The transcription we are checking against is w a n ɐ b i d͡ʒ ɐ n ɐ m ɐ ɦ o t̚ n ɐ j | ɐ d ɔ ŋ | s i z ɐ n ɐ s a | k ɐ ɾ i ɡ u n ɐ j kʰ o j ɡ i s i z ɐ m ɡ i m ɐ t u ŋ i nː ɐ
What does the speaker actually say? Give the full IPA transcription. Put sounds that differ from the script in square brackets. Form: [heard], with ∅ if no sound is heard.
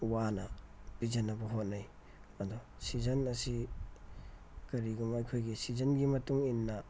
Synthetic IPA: w a n ɐ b i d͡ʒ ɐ n ɐ [b] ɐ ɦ o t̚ n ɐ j | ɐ d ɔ [∅] | s i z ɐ n ɐ s [i] | k ɐ ɾ i ɡ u [m] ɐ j kʰ o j ɡ i s i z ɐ [n] ɡ i m ɐ t u ŋ i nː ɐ